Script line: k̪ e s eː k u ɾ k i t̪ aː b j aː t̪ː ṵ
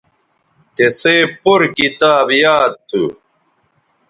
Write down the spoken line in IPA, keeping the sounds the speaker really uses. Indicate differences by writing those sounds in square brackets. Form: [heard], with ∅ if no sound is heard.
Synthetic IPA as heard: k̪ e s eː [p] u ɾ k i t̪ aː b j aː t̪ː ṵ